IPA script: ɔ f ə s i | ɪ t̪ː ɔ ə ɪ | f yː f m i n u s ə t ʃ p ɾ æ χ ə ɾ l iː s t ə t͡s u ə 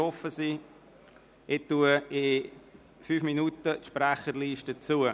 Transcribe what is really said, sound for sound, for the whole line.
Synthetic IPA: ɔ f ə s i | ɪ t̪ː u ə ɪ | f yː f m i n u t ə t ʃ p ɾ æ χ ə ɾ l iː ʃ t ə t͡s u ə

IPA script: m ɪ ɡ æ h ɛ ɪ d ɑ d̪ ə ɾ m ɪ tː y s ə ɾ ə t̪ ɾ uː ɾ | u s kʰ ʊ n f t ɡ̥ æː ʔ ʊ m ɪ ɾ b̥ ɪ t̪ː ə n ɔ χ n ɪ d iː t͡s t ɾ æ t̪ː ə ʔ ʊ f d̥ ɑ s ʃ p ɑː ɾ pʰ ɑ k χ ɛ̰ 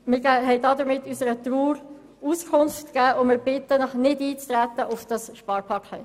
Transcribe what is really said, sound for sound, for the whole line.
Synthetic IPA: m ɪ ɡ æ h ɛ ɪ d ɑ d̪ ə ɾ m ɪ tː y s ə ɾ ə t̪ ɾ uː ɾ | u s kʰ ʊ n f t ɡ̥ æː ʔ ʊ m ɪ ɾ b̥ ɪ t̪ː ə n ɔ χ n ɪ d iː t͡s t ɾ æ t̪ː ə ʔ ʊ f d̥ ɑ s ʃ p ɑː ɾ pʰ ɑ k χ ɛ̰

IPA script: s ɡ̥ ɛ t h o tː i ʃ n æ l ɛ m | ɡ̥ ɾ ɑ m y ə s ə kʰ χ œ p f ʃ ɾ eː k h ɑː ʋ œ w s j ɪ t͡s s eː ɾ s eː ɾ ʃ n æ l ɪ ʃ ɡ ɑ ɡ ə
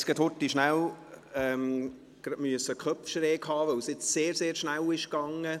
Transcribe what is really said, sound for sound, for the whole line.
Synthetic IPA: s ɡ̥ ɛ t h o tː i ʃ n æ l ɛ m | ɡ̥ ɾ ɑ m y ə s ə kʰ χ œ p f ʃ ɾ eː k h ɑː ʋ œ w s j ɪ t͡s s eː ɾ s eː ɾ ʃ n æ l ɪ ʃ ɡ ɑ ŋ ə

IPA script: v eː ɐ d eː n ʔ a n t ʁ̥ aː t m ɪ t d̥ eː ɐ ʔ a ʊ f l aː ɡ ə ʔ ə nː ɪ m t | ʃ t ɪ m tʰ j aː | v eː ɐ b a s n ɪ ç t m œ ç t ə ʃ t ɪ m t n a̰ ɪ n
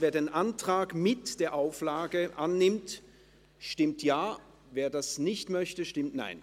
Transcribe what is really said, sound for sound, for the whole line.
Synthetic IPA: v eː ɐ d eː n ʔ a n t ʁ̥ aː k m ɪ t d̥ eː ɐ ʔ a ʊ f l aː ɡ ə ʔ a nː ɪ m t | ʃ t ɪ m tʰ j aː | v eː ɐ d a s n ɪ ç t m œ ç t ə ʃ t ɪ m t n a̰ ɪ n

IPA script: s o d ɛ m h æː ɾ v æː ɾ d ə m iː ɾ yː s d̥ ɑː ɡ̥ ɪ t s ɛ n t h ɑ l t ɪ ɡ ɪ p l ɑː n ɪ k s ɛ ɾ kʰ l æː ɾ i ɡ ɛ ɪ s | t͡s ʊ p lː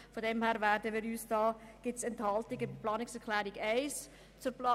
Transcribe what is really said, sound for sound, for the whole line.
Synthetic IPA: f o d ɛ m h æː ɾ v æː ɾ d ə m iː ɾ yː s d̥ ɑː ɡ̥ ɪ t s ɛ n t h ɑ l t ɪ ɡ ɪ p l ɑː n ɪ k s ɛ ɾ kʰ l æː ɾ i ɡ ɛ ɪ s | t͡s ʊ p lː

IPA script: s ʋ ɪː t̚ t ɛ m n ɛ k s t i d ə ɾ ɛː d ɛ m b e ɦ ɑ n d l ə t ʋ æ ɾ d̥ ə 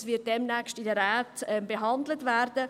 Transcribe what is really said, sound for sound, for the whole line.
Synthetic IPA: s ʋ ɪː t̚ d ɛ m n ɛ k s t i d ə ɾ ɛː t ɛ m b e ɦ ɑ n d l ə t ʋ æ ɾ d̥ ə

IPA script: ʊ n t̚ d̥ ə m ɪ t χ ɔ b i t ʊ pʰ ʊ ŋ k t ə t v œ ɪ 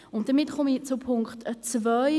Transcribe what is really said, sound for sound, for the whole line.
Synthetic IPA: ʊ n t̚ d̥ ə m ɪ t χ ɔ m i t͡s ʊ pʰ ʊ ŋ k t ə t͡s v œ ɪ

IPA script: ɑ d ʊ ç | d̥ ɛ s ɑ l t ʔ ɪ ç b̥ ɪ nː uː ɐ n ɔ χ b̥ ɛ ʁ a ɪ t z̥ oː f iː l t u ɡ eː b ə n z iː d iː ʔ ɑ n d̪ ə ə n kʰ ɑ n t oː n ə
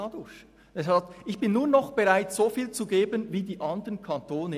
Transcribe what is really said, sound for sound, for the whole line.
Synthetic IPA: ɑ d ʊ ç | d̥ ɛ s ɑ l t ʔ ɪ ç b̥ ɪ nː uː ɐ n ɔ χ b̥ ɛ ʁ a ɪ t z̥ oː f iː l t͡s u ɡ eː b ə n v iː d iː ʔ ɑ n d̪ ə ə n kʰ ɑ n t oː n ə

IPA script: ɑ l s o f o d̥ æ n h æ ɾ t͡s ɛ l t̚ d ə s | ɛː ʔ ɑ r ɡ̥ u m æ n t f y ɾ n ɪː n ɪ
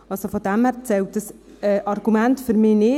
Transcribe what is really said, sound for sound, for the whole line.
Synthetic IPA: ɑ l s o f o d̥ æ m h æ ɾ t͡s ɛ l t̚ d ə s | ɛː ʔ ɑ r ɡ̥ u m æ n t f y ɾ m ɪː n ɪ

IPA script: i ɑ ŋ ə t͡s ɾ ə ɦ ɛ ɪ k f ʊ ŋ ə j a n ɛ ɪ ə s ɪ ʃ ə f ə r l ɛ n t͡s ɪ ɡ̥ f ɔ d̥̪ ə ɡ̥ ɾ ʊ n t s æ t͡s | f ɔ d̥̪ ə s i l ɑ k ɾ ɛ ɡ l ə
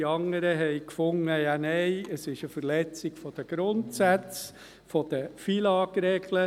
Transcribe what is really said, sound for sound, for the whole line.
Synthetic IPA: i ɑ ŋ ə ɾ ə ɦ ɛ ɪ k f ʊ ŋ ə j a n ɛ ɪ ə s ɪ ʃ ə f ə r l ɛ t͡s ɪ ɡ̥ f ɔ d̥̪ ə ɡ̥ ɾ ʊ n t s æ t͡s | f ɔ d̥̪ ə f i l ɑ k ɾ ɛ ɡ l ə

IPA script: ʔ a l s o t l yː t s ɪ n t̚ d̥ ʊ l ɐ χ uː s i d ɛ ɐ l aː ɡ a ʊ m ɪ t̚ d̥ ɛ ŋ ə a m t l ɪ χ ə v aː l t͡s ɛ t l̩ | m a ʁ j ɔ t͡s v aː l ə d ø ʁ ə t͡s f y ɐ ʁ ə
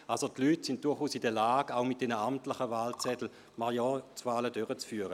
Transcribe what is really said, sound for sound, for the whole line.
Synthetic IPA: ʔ a l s o t l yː t s ɪ n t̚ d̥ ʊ ɐ χ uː s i d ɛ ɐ l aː ɡ a ʊ m ɪ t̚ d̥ ɛ n ə a m t l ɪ χ ə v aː l t͡s ɛ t l̩ | m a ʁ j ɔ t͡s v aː l ə d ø ʁ ə t͡s f yː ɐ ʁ ə

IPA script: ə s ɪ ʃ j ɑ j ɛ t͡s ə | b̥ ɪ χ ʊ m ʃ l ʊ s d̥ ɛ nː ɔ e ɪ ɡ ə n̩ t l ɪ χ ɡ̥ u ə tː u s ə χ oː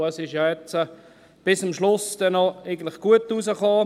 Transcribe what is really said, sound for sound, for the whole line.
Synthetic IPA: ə s ɪ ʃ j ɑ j ɛ t͡s ə | b̥ ɪ s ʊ m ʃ l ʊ s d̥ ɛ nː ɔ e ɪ ɡ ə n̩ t l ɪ χ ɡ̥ u ə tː u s ə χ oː

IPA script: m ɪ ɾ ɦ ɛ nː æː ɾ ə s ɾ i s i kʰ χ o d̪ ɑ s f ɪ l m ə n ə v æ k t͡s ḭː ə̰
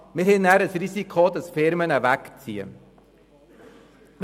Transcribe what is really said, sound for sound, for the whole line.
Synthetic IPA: m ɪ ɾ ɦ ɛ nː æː ɾ ə s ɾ i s i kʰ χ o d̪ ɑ s f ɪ ɾ m ə n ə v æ k t͡s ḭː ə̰

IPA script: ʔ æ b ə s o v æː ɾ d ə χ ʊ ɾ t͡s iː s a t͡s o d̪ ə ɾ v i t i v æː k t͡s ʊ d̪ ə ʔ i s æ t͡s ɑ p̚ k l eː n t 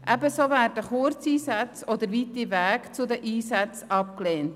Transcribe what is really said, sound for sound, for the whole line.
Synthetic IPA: ʔ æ b ə s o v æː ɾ d ə χ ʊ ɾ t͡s iː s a t͡s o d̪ ə ɾ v i t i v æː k t͡s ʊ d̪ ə ʔ iː s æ t͡s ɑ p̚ k l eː n t

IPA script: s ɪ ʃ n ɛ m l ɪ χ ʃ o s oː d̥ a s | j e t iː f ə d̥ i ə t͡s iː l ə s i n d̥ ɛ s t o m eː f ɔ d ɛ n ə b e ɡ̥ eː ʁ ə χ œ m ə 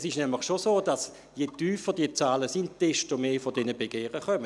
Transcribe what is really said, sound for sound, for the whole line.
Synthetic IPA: s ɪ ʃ n ɛ m l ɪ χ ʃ o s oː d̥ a s | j e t yː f ə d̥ i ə t͡s aː l ə s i n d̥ ɛ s t o m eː f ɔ d ɛ n ə b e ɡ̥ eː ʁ ə χ œ m ə

